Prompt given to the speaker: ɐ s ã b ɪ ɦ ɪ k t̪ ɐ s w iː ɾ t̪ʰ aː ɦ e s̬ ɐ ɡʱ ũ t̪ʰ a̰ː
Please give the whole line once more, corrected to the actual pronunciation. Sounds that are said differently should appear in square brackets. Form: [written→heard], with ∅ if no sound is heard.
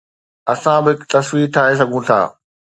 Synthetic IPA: ɐ s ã b ɪ ɦ ɪ k t̪ ɐ s w iː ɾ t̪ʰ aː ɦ e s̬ ɐ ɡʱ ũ t̪ʰ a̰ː